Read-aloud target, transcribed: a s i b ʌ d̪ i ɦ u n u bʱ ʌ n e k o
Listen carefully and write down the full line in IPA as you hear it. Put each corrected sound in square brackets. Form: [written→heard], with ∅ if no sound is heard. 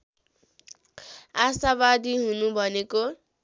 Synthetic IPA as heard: a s [i→a] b [ʌ→a] d̪ i ɦ u n u bʱ ʌ n e k o